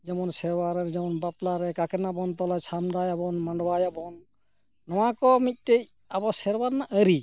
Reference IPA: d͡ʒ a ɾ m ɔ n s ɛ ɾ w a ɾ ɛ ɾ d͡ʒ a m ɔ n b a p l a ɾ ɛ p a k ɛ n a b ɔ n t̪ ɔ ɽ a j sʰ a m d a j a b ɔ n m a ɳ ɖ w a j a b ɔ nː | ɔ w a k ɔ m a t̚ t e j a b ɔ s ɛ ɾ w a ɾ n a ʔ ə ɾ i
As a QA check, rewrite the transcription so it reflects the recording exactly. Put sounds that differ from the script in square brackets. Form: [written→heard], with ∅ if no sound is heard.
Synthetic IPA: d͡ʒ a [ɾ→∅] m ɔ n s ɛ ɾ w a ɾ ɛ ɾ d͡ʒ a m ɔ n b a p l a ɾ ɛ [p→k] a k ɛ n a b ɔ n t̪ ɔ [ɽ→l] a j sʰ a m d a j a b ɔ n m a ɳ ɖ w a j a b ɔ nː | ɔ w a k ɔ m [a→i] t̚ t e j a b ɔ s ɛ ɾ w a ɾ n a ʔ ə ɾ i